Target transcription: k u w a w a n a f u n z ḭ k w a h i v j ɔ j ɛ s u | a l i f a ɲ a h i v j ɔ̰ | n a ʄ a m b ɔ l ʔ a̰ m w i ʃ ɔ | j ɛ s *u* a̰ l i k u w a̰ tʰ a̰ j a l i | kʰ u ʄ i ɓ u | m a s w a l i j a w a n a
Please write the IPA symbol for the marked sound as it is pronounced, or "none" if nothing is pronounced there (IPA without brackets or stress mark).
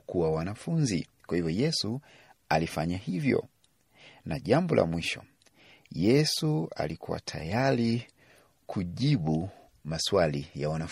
u